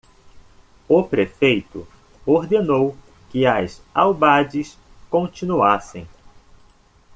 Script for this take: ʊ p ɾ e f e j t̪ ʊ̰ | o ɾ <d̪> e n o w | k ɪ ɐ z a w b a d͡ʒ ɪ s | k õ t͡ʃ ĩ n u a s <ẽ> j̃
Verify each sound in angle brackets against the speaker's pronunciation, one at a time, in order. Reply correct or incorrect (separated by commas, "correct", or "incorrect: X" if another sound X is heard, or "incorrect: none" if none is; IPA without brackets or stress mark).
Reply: correct, correct